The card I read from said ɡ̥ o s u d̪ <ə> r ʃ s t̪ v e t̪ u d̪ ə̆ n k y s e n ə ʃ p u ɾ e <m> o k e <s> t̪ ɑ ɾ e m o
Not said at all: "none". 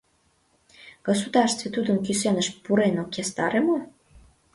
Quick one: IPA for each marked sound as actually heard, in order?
ɑ, n, s

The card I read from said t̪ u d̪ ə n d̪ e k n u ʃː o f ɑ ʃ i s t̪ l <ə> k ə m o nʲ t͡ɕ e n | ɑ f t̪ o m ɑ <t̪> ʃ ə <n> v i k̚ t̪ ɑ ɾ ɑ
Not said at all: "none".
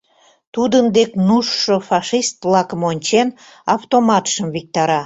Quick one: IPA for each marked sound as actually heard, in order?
ɑ, t̪, m

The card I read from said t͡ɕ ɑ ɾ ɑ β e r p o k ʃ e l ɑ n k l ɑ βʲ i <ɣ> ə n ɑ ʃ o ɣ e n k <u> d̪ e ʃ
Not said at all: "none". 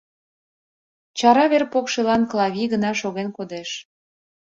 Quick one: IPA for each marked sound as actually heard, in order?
ɣ, o

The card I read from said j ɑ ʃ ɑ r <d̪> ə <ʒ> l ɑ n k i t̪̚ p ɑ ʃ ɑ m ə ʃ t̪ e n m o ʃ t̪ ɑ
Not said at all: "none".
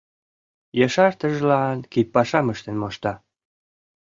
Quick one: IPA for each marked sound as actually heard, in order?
t̪, ʒ

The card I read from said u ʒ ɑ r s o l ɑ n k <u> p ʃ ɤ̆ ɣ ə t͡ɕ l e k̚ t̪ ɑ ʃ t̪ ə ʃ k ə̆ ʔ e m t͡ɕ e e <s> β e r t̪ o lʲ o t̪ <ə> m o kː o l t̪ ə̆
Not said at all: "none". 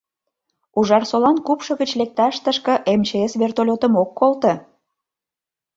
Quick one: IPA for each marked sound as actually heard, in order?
u, s, ə

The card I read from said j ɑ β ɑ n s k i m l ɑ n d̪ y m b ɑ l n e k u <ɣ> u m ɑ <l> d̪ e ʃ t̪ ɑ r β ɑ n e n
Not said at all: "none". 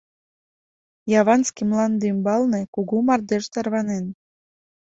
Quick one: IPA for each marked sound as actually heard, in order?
ɣ, r

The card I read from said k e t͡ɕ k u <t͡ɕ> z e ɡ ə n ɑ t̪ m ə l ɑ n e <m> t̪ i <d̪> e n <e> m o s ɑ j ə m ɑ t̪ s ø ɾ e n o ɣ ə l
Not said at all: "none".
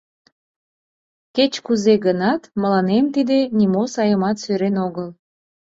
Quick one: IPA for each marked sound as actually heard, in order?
none, m, d̪, i

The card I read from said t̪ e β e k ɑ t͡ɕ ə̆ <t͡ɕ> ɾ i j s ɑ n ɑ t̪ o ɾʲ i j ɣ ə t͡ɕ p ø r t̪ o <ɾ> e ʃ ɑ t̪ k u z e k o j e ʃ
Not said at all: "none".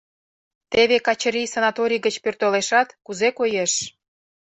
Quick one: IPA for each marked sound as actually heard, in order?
none, l

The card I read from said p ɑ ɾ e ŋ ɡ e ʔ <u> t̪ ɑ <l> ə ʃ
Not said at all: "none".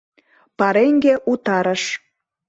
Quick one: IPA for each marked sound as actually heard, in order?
u, ɾ

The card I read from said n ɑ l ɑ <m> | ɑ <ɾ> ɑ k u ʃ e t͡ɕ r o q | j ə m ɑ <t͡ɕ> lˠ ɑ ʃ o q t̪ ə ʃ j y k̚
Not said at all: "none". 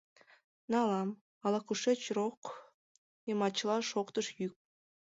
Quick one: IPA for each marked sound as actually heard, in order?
m, l, t͡ɕ

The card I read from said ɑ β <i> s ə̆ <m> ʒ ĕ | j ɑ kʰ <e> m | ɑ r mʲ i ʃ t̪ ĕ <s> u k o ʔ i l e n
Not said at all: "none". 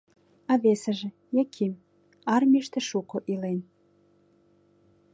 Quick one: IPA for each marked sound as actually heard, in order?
e, none, i, ʃ

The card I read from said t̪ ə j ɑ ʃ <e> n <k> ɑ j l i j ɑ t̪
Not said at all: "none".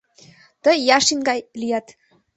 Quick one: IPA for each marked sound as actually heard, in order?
i, ɡ

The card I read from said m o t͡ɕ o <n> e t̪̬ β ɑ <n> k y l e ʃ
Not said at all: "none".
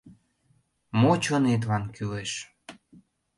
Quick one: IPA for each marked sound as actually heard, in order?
n, n

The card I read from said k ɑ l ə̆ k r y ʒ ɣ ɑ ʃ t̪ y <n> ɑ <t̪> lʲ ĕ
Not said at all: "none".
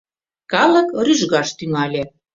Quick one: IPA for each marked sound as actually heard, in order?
ŋ, none

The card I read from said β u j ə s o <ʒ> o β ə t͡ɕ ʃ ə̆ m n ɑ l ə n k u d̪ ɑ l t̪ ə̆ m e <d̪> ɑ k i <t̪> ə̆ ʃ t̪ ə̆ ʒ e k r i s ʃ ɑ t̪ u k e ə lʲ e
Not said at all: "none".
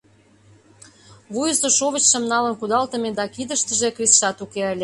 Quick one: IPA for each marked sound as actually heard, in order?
ʃ, d̪, d̪

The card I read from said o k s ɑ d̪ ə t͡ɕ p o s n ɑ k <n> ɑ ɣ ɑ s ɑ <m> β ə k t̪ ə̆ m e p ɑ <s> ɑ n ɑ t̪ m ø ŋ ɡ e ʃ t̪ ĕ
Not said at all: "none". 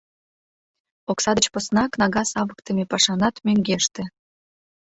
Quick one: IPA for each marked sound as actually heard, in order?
n, none, ʃ

